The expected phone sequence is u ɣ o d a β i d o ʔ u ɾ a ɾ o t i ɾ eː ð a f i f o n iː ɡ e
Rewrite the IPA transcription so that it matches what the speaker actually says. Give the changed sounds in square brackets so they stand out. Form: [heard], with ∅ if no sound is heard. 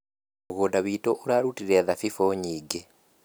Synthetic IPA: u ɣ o d a β i [t] o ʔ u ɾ a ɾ [u] t i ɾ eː ð a f i f o [ɲ] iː ɡ e